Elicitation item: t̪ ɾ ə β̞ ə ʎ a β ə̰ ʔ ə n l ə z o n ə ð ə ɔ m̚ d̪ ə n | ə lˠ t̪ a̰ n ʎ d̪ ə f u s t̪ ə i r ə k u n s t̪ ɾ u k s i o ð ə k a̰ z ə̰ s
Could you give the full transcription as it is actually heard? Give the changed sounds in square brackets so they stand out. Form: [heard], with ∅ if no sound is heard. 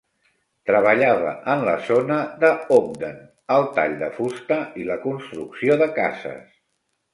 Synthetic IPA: t̪ ɾ ə β̞ ə ʎ a β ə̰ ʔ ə n l ə z o n ə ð ə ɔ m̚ d̪ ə n | ə lˠ t̪ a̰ [∅] ʎ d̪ ə f u s t̪ ə i [l] ə k u n s t̪ ɾ u k s i o ð ə k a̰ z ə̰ s